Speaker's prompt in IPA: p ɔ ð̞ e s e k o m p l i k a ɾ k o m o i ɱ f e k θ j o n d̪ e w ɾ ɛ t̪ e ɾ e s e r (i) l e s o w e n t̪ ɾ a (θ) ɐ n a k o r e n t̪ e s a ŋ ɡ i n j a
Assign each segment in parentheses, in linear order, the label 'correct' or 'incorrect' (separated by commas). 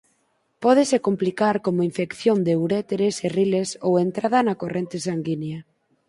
correct, incorrect